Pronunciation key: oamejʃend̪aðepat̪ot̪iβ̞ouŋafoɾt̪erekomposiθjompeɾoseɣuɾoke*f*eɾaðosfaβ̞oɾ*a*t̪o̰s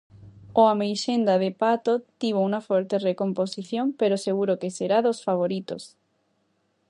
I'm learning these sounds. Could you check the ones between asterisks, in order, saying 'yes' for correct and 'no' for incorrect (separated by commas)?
no, no